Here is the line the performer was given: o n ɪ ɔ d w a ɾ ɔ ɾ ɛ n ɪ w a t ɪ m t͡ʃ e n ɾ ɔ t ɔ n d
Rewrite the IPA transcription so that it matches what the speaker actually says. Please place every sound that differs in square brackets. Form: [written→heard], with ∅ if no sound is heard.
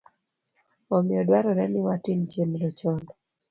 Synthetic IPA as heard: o [n→m] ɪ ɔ d w a ɾ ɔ ɾ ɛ n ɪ w a t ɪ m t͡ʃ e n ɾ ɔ [t→t͡ʃ] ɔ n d